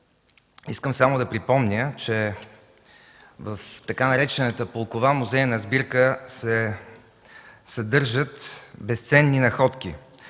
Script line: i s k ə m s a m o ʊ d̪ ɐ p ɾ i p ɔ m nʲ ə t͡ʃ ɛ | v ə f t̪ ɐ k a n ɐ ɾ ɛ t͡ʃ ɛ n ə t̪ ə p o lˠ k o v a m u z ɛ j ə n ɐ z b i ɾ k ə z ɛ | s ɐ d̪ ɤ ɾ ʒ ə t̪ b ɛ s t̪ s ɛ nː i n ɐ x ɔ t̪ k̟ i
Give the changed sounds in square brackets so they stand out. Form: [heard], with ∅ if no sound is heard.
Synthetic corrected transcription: i s k ə m s a m o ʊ d̪ ɐ p ɾ i p ɔ m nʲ ə t͡ʃ ɛ | v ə f t̪ ɐ k a n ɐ ɾ ɛ t͡ʃ ɛ n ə t̪ ə p o lˠ k o v a m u z ɛ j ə n ɐ z b i ɾ k ə [s] ɛ | s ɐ d̪ ɤ ɾ ʒ ə t̪ b ɛ s t̪ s ɛ nː i n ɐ x ɔ t̪ k̟ i

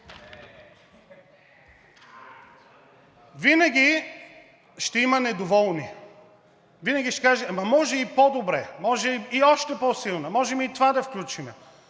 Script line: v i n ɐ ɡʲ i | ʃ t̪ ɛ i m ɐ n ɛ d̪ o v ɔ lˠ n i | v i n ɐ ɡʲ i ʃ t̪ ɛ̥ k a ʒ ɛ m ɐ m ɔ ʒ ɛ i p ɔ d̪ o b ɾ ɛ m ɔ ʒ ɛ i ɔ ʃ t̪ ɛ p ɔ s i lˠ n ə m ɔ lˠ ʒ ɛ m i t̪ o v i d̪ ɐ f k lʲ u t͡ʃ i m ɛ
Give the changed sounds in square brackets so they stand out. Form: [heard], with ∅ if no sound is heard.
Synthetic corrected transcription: v i n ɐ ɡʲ i | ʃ t̪ ɛ i m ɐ n ɛ d̪ o v ɔ lˠ n i | v i n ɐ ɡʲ i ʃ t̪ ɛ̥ k a ʒ ɛ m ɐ m ɔ ʒ ɛ i p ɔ d̪ o b ɾ ɛ m ɔ ʒ ɛ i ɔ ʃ t̪ ɛ p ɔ s i lˠ n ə m ɔ [∅] ʒ ɛ m i t̪ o v [a] d̪ ɐ f k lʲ u t͡ʃ i m ɛ

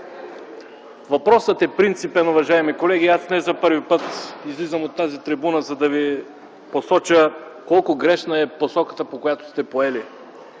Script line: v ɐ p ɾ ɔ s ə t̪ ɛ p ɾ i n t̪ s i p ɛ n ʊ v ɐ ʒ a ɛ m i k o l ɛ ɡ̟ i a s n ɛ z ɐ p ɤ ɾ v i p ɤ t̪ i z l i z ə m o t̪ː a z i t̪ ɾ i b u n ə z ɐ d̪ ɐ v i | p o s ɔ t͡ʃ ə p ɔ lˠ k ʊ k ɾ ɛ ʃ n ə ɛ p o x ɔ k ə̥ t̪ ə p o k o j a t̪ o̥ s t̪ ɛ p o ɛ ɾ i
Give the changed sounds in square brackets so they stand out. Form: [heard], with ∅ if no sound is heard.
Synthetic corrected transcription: v ɐ p ɾ ɔ s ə t̪ ɛ p ɾ i n t̪ s i p ɛ n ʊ v ɐ ʒ a ɛ m i k o l ɛ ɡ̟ i a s n ɛ z ɐ p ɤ ɾ v i p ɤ t̪ i z l i z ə m o t̪ː a z i t̪ ɾ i b u n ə z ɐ d̪ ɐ v i | p o s ɔ t͡ʃ ə [k] ɔ lˠ k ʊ [ɡ] ɾ ɛ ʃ n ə ɛ p o [s] ɔ k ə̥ t̪ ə p o k o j a t̪ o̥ s t̪ ɛ p o ɛ [l] i

